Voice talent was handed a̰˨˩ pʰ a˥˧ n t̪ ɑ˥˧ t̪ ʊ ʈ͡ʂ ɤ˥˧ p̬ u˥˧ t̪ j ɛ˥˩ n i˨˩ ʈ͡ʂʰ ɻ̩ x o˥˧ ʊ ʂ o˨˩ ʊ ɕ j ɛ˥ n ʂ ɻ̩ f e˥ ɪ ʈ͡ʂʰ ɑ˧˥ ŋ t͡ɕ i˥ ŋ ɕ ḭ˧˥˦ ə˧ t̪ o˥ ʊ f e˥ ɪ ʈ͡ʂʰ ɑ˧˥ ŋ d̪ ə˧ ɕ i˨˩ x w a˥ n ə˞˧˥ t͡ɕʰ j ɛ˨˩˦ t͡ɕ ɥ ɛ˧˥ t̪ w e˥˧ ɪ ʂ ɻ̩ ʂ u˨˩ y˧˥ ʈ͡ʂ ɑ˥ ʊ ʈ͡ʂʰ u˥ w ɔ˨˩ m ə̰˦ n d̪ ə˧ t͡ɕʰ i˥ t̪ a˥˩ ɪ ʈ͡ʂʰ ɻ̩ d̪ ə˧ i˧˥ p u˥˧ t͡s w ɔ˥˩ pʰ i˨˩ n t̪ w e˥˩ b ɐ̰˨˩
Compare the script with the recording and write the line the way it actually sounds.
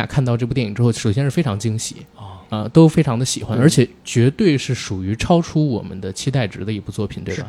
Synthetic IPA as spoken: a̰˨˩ kʰ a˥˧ n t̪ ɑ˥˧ ʊ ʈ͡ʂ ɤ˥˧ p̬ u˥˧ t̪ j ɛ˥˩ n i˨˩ ʈ͡ʂ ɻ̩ x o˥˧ ʊ ʂ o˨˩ ʊ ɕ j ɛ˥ n ʂ ɻ̩ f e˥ ɪ ʈ͡ʂʰ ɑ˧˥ ŋ t͡ɕ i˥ ŋ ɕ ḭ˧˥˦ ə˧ t̪ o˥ ʊ f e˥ ɪ ʈ͡ʂʰ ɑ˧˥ ŋ d̪ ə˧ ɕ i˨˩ x w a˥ n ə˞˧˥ t͡ɕʰ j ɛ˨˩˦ t͡ɕ ɥ ɛ˧˥ t̪ w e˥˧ ɪ ʂ ɻ̩ ʂ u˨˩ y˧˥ ʈ͡ʂʰ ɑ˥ ʊ ʈ͡ʂʰ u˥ w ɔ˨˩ m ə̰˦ n d̪ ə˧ t͡ɕʰ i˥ t̪ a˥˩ ɪ ʈ͡ʂ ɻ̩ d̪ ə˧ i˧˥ p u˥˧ t͡s w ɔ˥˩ pʰ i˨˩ n t̪ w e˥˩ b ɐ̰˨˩